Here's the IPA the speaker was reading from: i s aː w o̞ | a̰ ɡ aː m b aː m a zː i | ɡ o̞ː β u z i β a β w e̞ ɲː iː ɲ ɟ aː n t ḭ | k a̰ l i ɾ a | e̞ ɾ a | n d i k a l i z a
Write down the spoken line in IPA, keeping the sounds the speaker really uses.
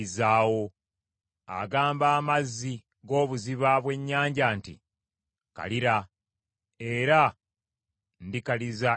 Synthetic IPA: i z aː w o̞ | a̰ ɡ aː m b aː m a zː i | ɡ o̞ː β u z i β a β w e̞ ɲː aː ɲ ɟ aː n t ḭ | k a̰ l i ɾ a | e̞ ɾ a | n d i k a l i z a